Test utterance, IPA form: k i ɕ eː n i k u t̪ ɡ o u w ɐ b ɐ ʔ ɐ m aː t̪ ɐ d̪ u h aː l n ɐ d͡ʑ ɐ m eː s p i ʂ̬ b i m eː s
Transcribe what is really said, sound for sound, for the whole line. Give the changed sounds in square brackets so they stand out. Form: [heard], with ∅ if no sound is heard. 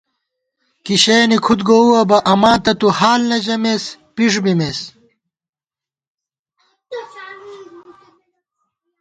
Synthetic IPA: k i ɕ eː n i [kʰ] u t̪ ɡ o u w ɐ b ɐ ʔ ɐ m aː t̪ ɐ [t̪] u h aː l n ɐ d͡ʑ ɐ m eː s p i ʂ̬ b i m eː s